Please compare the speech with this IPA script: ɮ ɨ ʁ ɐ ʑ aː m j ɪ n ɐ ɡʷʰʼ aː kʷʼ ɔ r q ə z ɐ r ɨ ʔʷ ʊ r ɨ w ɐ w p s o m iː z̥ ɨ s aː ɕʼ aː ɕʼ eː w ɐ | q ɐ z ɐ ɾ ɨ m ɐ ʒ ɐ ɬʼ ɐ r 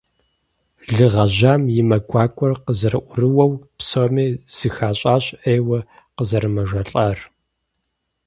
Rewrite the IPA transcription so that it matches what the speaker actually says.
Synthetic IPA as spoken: ɮ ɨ ʁ ɐ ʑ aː m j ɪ m ɐ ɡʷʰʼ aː kʷʼ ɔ r q ə z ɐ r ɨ ʔʷ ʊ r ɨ w ɐ w p s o m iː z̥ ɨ x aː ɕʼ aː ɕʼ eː w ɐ | q ə z ɐ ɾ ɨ m ɐ ʒ ɐ ɬʼ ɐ r

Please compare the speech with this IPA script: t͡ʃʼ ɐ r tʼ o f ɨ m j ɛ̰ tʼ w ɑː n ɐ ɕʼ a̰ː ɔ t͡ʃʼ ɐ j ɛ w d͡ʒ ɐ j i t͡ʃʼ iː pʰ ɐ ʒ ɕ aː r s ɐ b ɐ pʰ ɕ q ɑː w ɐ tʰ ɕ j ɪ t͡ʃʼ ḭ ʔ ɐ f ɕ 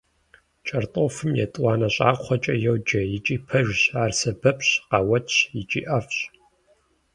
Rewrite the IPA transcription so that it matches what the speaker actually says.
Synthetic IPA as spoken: t͡ʃʼ ɐ r tʼ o f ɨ m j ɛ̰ tʼ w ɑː n ɐ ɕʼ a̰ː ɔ t͡ʃʼ ɐ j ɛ w d͡ʒ ɐ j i t͡ʃʼ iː pʰ ɐ ʒ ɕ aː r s ɐ b ɐ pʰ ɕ q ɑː w ɐ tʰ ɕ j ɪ t͡ʃʼ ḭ ʔ ɐ f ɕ

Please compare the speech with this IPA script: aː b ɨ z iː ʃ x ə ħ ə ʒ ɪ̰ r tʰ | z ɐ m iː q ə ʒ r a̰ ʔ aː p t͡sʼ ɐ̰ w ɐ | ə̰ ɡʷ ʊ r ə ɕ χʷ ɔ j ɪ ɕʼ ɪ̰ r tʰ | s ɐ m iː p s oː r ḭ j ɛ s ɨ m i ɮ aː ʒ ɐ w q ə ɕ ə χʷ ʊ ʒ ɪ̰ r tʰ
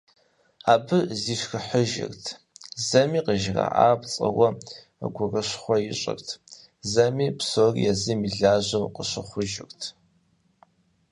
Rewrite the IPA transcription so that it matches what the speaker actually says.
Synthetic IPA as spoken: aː b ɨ z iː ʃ x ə ħ ə ʒ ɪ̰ r tʰ | z ɐ m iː q ə ʒ r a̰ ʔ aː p t͡sʼ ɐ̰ w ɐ | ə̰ ɡʷ ʊ r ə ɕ χʷ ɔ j ɪ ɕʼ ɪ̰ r tʰ | z ɐ m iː p s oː r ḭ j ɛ z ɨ m i ɮ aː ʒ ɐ w q ə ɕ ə χʷ ʊ ʒ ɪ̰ r tʰ

